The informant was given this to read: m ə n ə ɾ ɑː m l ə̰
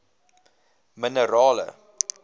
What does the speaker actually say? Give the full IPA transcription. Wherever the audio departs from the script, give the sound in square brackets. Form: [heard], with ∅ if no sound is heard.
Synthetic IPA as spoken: m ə n ə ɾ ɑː [∅] l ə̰